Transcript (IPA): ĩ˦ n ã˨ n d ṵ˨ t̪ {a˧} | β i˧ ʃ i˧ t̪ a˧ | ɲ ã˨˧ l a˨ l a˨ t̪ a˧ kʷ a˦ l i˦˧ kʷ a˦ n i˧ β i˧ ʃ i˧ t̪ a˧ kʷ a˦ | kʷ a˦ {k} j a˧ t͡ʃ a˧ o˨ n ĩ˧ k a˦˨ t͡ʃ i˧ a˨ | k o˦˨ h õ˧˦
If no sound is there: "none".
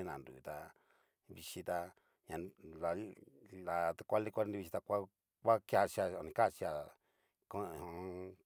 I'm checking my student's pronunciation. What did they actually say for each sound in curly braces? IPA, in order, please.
a˧, k

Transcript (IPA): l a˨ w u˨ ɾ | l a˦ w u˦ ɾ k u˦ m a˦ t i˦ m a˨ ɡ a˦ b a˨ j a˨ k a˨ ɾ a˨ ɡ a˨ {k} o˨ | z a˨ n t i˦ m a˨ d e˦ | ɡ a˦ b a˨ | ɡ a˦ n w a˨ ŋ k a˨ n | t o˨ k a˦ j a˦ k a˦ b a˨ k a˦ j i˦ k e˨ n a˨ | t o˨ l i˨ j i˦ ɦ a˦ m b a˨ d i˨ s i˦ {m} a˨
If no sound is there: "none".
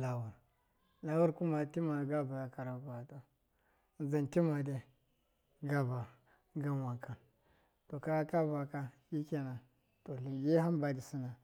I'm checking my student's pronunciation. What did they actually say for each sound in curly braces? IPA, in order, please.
t, n

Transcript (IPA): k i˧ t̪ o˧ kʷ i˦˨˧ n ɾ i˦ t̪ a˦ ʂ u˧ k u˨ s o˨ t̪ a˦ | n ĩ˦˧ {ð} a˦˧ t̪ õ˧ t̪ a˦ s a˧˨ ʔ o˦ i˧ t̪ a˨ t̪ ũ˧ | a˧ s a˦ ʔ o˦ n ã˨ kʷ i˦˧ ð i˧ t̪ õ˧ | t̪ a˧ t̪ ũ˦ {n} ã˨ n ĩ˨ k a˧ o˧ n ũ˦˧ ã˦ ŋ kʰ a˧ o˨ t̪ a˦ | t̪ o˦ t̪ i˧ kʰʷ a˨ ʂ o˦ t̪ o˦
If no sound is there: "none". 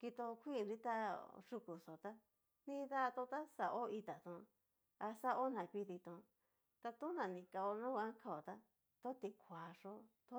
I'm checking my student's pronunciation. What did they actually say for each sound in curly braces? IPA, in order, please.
ð, n

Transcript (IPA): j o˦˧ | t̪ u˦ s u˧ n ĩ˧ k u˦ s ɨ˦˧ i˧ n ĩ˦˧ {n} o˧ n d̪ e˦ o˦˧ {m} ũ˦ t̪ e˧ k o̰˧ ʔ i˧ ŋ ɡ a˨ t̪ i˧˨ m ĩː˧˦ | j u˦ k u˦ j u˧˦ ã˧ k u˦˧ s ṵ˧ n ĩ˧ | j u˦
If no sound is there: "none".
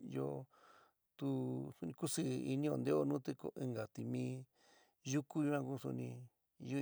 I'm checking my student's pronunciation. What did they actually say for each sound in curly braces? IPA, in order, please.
none, n

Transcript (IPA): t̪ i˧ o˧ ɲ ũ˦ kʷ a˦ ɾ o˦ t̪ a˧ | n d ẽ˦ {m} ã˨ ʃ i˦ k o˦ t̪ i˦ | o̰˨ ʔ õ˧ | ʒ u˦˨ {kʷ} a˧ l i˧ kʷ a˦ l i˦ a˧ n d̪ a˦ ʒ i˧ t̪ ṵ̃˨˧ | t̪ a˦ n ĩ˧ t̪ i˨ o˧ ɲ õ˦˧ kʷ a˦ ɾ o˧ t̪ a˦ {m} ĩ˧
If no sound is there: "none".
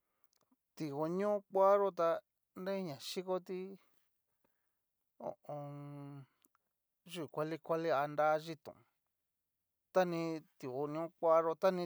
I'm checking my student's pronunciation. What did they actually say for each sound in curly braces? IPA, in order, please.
ɲ, kʷ, n

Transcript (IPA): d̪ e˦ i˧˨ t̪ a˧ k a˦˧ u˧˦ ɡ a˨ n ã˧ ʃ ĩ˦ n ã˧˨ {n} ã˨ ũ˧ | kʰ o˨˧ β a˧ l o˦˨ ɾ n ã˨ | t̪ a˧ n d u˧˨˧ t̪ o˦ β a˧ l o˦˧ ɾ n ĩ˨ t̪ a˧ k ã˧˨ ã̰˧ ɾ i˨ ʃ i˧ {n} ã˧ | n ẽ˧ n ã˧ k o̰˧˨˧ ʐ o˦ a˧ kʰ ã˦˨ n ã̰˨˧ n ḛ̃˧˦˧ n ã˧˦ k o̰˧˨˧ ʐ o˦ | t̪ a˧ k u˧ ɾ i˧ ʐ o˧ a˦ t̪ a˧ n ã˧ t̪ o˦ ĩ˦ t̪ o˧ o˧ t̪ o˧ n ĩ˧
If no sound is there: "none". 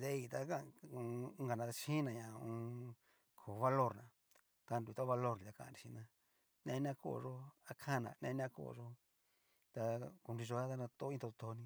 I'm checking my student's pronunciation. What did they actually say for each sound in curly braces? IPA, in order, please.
ɲ, n

